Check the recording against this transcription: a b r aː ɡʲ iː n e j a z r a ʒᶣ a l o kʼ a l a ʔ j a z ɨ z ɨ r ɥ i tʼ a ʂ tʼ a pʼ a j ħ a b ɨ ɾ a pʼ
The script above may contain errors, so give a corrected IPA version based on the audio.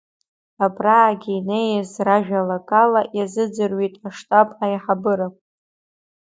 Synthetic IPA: a b r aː ɡʲ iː n e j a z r a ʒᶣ a l o kʼ a l a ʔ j a z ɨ d͡z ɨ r ɥ i tʼ a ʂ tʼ a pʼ a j ħ a b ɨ ɾ a pʼ